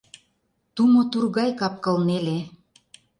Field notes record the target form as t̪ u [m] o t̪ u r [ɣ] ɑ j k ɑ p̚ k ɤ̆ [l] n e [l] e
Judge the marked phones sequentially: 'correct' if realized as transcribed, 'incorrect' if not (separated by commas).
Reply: correct, correct, correct, correct